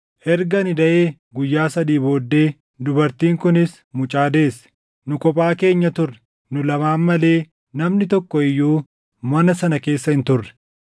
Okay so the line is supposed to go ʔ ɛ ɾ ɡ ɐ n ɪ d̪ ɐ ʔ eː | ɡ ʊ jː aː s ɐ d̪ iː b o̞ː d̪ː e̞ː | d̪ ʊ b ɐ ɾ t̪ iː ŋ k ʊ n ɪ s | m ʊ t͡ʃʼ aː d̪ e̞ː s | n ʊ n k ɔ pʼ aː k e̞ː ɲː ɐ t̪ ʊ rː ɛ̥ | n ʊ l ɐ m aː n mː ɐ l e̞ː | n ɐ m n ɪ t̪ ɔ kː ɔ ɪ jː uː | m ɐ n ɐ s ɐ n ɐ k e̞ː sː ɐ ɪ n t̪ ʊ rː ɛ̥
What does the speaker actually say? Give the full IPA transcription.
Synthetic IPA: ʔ ɛ ɾ ɡ ɐ n ɪ d̪ ɐ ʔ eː | ɡ ʊ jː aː s ɐ d̪ iː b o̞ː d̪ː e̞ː | d̪ ʊ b ɐ ɾ t̪ iː ŋ k ʊ n ɪ s | m ʊ t͡ʃʼ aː d̪ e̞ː s | n ʊ k ɔ pʼ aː k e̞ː ɲː ɐ t̪ ʊ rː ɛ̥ | n ʊ l ɐ m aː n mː ɐ l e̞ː | n ɐ m n ɪ t̪ ɔ kː ɔ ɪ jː uː | m ɐ n ɐ s ɐ n ɐ k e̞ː sː ɐ ɪ n t̪ ʊ rː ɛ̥

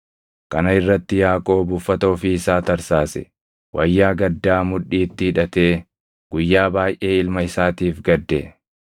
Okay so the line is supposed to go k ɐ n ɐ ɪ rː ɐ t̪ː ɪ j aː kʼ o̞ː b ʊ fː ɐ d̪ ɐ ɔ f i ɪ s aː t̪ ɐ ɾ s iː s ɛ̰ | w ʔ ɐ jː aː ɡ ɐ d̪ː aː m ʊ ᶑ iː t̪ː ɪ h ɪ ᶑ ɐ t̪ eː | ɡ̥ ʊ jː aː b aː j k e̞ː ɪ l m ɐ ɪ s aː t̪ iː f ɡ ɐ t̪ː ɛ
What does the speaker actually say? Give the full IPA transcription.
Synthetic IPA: k ɐ n ɐ ɪ rː ɐ t̪ː ɪ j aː kʼ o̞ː b ʊ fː ɐ t̪ ɐ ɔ f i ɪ s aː t̪ ɐ ɾ s aː s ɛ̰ | w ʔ ɐ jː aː ɡ ɐ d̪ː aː m ʊ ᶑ iː t̪ː ɪ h ɪ ᶑ ɐ t̪ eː | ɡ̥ ʊ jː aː b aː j ʔ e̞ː ɪ l m ɐ ɪ s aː t̪ iː f ɡ ɐ d̪ː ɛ

